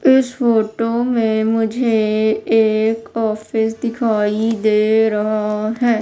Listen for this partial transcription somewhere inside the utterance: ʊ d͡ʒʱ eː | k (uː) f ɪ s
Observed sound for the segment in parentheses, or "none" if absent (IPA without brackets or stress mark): ɔː